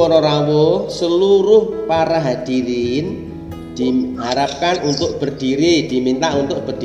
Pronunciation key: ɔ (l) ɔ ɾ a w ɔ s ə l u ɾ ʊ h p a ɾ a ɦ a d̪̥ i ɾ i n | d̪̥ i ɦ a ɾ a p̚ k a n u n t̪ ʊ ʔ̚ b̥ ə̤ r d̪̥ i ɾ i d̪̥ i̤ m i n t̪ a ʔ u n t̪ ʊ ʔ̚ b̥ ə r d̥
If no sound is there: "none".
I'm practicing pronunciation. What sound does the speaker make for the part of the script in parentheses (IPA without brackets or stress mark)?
ɾ